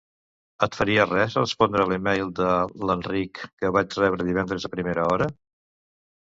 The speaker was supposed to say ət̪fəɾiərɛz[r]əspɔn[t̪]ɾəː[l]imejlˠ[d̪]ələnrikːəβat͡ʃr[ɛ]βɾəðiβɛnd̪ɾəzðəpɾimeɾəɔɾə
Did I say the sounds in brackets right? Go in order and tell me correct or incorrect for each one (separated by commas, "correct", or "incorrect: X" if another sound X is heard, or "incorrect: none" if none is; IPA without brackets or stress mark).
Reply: correct, incorrect: d̪, correct, correct, correct